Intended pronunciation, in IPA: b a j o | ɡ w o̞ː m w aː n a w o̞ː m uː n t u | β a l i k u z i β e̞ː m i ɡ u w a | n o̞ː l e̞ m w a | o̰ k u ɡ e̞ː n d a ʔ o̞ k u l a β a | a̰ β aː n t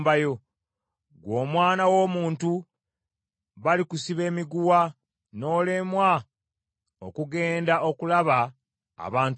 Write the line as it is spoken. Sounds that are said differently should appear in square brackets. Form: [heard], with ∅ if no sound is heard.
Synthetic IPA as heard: b a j o | ɡ w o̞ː m w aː n a w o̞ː m uː n t u | β a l i k u [s] i β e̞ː m i ɡ u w a | n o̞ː l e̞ m w a | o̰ k u ɡ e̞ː n d a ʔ o̞ k u l a β a | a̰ β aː n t